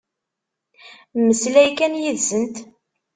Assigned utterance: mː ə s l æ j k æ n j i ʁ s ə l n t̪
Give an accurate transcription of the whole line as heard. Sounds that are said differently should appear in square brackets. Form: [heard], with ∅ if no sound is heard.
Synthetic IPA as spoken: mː ə s l æ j k æ n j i [ð] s ə [∅] n t̪